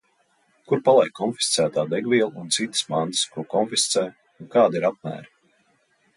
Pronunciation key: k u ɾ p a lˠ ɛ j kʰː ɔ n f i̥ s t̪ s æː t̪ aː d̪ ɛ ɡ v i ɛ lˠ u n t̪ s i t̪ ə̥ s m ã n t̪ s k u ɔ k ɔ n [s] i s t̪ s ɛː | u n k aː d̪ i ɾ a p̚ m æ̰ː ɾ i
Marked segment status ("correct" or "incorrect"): incorrect